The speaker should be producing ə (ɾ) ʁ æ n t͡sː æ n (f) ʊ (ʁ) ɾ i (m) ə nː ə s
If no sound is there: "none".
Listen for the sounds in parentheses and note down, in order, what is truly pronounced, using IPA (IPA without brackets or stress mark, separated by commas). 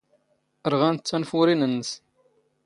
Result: ɾ, f, none, n